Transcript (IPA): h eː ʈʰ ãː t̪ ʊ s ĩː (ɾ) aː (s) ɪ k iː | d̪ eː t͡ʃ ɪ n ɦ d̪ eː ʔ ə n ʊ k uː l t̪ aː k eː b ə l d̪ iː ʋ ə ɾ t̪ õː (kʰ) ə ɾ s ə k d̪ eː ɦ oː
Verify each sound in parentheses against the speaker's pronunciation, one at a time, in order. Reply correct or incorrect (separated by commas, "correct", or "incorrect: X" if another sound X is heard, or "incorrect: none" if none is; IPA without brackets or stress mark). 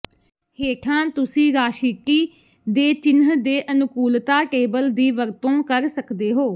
correct, incorrect: ʃ, incorrect: k